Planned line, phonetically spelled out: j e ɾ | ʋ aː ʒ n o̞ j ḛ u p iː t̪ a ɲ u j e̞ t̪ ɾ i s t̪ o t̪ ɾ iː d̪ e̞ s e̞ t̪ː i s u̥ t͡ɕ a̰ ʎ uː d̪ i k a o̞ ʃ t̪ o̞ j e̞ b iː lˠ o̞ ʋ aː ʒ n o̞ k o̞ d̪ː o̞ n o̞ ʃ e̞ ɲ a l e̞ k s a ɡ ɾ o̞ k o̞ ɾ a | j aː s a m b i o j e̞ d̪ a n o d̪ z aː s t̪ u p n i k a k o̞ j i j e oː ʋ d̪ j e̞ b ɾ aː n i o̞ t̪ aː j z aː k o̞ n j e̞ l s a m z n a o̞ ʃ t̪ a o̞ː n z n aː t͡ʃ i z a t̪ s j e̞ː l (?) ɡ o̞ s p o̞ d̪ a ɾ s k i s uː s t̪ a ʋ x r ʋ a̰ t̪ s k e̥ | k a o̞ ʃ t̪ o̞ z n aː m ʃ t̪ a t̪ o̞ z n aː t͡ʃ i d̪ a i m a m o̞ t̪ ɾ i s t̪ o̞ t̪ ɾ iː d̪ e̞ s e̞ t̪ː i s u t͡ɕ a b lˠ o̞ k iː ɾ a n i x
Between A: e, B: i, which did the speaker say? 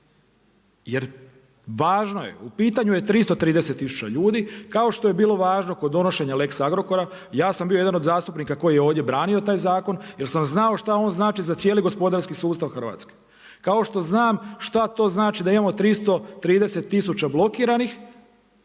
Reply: B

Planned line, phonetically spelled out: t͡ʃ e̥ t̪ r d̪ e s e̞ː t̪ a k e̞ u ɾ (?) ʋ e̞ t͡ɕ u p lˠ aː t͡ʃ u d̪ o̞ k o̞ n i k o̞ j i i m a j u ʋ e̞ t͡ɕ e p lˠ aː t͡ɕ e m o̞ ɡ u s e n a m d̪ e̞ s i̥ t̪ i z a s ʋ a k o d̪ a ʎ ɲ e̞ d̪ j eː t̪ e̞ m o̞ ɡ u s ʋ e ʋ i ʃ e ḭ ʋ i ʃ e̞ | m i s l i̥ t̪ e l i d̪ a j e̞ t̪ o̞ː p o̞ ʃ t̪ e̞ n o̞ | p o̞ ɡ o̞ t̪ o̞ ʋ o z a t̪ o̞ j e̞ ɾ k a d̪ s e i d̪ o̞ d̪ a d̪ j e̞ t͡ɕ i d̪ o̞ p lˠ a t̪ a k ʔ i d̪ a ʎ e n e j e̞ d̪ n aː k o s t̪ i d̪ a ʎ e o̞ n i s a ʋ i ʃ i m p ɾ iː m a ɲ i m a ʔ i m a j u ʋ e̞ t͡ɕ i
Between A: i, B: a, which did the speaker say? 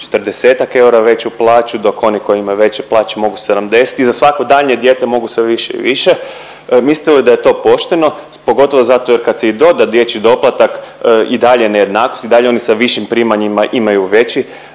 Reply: B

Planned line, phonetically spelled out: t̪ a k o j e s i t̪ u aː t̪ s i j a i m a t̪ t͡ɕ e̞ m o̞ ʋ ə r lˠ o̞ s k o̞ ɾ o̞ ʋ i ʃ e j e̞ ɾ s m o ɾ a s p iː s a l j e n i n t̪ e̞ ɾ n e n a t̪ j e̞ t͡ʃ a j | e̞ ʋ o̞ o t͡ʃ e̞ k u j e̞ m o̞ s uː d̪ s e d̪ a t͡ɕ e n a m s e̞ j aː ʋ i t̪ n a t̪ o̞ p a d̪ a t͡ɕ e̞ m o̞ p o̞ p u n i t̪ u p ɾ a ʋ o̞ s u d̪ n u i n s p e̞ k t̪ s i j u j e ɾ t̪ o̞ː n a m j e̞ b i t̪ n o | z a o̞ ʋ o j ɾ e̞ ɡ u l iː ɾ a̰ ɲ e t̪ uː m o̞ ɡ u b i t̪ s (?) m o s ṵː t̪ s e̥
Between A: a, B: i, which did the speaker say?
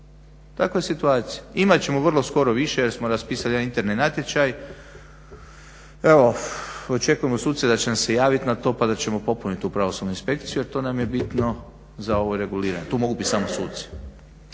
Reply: A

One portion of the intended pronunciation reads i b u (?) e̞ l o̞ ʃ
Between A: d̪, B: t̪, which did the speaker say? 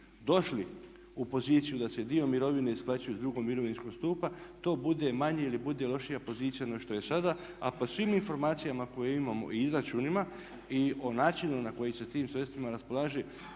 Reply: A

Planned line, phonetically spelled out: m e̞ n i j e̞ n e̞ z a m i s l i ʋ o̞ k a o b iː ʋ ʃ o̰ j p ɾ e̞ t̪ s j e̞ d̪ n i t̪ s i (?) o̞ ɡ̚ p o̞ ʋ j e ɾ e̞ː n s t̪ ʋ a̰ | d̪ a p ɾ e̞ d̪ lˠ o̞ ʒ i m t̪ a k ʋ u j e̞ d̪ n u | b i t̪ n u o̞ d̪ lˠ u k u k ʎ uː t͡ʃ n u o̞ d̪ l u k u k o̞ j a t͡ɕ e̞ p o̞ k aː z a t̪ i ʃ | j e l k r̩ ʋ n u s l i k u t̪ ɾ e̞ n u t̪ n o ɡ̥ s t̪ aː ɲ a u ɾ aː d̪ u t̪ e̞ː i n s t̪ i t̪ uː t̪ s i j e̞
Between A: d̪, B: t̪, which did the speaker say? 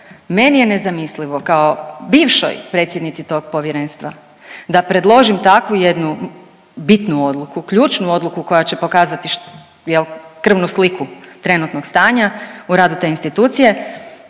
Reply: B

